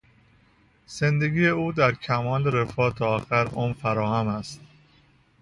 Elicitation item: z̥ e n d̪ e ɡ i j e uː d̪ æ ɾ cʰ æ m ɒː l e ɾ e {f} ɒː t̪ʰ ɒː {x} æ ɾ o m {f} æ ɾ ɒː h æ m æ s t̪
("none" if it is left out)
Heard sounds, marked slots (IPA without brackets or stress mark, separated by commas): f, x, f